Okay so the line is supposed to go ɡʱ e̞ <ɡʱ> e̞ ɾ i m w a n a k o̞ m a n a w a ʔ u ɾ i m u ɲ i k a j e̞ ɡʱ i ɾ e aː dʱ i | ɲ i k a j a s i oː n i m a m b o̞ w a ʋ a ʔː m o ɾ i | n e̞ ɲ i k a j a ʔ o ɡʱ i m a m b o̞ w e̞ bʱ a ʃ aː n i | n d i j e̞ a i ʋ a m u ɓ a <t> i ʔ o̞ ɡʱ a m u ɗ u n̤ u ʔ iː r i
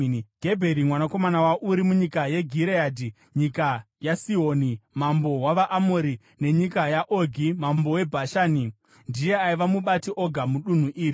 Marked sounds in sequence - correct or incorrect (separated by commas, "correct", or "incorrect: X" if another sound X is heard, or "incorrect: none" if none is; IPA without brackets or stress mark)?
incorrect: bʱ, correct